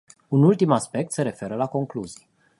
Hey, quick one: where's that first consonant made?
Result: tongue tip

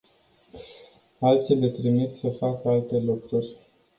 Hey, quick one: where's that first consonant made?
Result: tongue tip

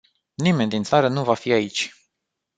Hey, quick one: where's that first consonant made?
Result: tongue tip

